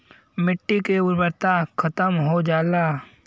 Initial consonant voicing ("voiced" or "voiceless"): voiced